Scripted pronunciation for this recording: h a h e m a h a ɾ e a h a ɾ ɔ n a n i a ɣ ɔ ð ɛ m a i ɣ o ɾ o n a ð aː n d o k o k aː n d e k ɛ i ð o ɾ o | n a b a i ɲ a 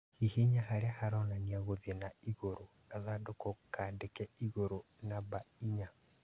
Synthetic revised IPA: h i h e ɲ a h a ɾ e a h a ɾ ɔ n a n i a ɣ o ð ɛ n a i ɣ o ɾ o n a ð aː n d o k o k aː n d e k ɛ i ɣ o ɾ o | n a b a i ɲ a